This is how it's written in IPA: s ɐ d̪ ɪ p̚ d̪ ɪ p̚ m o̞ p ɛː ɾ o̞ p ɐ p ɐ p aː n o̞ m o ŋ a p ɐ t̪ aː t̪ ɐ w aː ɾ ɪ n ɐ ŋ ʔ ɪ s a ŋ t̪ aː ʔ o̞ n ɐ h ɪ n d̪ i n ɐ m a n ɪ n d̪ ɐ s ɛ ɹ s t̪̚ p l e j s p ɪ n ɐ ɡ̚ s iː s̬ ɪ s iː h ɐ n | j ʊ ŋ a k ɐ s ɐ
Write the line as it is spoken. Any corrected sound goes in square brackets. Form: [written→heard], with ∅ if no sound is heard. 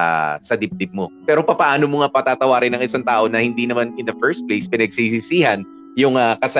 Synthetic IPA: s ɐ d̪ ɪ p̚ d̪ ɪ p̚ m o̞ p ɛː ɾ o̞ p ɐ p ɐ [p→ʔ] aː n o̞ m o ŋ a p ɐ t̪ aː t̪ ɐ w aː ɾ ɪ n ɐ ŋ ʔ ɪ s a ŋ t̪ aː ʔ o̞ n ɐ h ɪ n d̪ i n ɐ m a n ɪ n d̪ ɐ [s→f] ɛ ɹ s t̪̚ p l e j s p ɪ n ɐ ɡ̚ s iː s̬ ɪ s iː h ɐ n | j ʊ ŋ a k ɐ s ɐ